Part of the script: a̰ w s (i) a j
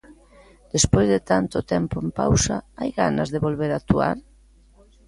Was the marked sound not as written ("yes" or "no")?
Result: yes